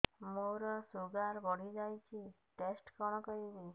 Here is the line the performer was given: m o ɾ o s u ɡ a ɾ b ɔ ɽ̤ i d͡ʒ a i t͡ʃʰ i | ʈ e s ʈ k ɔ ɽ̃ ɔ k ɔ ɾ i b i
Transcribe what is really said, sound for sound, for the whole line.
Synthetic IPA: m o ɾ ɔ s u ɡ a ɾ b ɔ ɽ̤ i d͡ʒ a j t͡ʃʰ i | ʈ e s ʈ k ɔ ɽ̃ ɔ k ɔ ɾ i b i